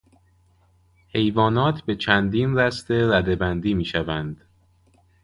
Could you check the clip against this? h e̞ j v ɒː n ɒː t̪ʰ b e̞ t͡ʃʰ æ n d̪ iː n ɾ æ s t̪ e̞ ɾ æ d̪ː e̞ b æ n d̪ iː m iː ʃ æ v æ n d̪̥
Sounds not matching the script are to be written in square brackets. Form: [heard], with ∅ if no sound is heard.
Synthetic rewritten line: h e̞ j v ɒː n ɒː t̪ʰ b e̞ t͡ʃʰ æ n d̪ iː n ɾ æ s t̪ e̞ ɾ æ [d̪] e̞ b æ n d̪ iː m iː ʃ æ v æ n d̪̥

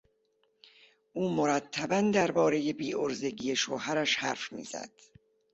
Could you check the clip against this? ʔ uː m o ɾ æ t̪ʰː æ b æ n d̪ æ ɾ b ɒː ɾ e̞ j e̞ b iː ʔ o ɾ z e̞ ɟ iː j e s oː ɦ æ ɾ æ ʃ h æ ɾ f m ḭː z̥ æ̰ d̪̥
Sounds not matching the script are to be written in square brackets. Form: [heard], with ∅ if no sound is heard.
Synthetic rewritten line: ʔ uː m o ɾ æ t̪ʰː æ b æ n d̪ æ ɾ b ɒː ɾ e̞ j e̞ b iː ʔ o ɾ z e̞ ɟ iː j e [ʃ] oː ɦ æ ɾ æ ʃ h æ ɾ f m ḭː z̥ æ̰ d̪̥

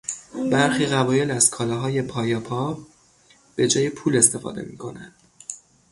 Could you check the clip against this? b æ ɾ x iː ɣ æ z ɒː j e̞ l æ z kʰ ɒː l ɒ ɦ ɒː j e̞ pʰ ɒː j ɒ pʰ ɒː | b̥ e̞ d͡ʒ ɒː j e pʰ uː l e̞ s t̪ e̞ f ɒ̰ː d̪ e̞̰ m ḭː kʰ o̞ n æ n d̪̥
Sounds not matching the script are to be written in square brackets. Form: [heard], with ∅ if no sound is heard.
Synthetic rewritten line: b æ ɾ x iː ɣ æ [v] ɒː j e̞ l æ z kʰ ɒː l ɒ ɦ ɒː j e̞ pʰ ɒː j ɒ pʰ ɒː | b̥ e̞ d͡ʒ ɒː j e pʰ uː l e̞ s t̪ e̞ f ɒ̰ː d̪ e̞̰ m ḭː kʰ o̞ n æ n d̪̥

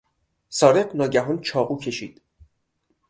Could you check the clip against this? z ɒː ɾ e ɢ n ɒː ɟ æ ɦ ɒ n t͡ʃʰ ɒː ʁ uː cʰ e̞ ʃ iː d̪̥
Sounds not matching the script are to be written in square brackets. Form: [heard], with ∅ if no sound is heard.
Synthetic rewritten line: [s] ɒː ɾ e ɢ n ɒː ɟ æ ɦ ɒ n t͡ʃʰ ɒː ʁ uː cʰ e̞ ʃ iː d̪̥

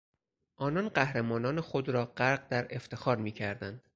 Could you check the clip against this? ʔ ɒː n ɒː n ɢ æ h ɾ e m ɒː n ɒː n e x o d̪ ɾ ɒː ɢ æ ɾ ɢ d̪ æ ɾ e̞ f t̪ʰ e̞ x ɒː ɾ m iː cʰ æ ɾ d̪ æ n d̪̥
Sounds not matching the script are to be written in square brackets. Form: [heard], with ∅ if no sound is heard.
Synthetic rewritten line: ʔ ɒː n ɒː n ɢ æ h ɾ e m ɒː n ɒː n e x o d̪ ɾ ɒː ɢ æ ɾ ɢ d̪ æ ɾ e̞ f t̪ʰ e̞ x ɒː ɾ m iː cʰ æ ɾ d̪ æ n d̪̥

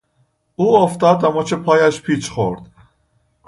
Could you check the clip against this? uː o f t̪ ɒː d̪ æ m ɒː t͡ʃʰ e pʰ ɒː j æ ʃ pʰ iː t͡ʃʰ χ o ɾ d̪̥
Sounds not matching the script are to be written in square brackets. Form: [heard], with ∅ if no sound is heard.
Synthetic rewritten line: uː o f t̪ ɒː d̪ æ m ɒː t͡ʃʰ e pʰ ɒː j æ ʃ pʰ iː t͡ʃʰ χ o ɾ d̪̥

